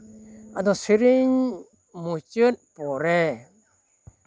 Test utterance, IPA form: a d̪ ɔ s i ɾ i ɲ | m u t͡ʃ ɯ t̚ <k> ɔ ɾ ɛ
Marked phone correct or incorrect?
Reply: incorrect